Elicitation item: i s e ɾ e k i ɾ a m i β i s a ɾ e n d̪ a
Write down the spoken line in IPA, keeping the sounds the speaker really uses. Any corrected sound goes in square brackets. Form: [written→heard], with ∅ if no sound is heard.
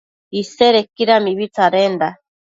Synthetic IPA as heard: i s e ɾ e k i ɾ a m i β i [s→t͡s] a ɾ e n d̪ a